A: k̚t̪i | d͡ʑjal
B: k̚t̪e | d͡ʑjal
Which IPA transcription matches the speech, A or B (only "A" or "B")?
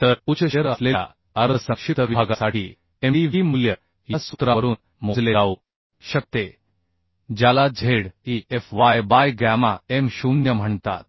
B